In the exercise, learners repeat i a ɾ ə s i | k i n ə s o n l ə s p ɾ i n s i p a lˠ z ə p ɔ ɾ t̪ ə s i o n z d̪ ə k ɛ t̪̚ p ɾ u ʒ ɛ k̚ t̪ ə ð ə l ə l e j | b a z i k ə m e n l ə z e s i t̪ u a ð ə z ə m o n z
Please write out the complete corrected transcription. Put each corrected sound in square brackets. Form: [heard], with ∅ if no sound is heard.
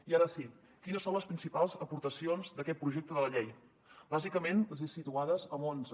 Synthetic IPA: i a ɾ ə s i | k i n ə s o n l ə s p ɾ i n s i p a lˠ z ə p [u] ɾ t̪ ə s i o n z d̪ ə k ɛ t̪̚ p ɾ u ʒ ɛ k̚ t̪ ə ð ə l ə [ʎ] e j | b a z i k ə m e n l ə z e s i t̪ u a ð ə z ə m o n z

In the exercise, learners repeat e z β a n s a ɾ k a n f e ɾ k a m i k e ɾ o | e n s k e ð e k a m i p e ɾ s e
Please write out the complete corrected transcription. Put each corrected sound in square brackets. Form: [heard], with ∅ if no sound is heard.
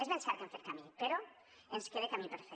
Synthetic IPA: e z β [e] n s a ɾ k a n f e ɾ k a m i [p] e ɾ o | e n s k e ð e k a m i p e ɾ [f] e

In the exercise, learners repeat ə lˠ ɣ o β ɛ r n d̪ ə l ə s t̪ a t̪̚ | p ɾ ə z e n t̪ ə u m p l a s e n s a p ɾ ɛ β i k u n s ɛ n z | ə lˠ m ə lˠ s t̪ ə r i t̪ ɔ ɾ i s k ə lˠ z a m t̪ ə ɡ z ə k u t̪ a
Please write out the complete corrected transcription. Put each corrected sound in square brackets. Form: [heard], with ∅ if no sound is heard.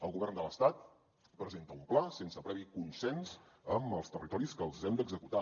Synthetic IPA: ə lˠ ɣ [u] β ɛ r n d̪ ə l ə s t̪ a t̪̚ | p ɾ ə z e n t̪ ə u m p l a s e n s [ə] p ɾ ɛ β i k u n s ɛ n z | ə [∅] m ə lˠ s t̪ ə r i t̪ ɔ ɾ i s k ə lˠ z [ɛ] m [d̪] ə ɡ z ə k u t̪ a

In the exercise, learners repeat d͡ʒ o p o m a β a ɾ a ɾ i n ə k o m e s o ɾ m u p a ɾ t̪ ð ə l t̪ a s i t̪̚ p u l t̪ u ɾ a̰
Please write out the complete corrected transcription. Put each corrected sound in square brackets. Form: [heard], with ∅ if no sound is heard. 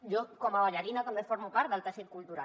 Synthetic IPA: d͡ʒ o [k] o m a β a [ʎ] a ɾ i n [a] k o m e [f] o ɾ m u p a ɾ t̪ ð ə l t̪ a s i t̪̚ [k] u l t̪ u ɾ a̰

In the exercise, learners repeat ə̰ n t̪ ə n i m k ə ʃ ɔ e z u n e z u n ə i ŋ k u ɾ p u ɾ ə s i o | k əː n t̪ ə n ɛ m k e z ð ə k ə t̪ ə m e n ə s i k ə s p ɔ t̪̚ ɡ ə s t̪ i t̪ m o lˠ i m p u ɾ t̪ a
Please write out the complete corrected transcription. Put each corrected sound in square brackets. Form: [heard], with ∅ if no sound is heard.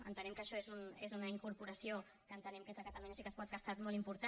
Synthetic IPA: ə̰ n t̪ ə n [ɛ] m k ə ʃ ɔ e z u n e z u n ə i ŋ k u ɾ p u ɾ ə s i o | k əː n t̪ ə n ɛ m k e z ð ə k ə t̪ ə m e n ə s i k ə s p ɔ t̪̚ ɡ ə s t̪ [a] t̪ m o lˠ i m p u ɾ t̪ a

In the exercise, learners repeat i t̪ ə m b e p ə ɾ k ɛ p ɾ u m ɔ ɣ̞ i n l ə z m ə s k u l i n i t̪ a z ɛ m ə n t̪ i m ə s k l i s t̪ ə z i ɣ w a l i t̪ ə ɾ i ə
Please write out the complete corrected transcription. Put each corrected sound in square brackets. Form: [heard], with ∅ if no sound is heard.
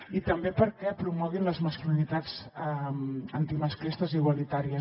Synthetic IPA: i t̪ ə m b e p ə ɾ k ɛ p ɾ u m ɔ ɣ̞ i n l ə z m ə s k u l i n i t̪ a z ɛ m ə n t̪ i m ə s k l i s t̪ ə z i ɣ w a l i t̪ [a] ɾ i ə

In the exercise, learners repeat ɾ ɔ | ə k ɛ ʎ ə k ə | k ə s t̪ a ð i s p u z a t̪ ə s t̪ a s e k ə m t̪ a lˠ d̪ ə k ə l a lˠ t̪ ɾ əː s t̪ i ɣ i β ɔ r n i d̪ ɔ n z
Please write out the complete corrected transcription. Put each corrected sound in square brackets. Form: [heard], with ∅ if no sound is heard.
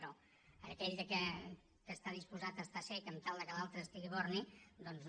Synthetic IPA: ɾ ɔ | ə k ɛ ʎ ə k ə | k ə s t̪ a ð i s p u z a t̪ ə s t̪ a s e k ə m t̪ a lˠ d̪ ə k ə l a lˠ t̪ ɾ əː s t̪ i ɣ i β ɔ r n i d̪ ɔ n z

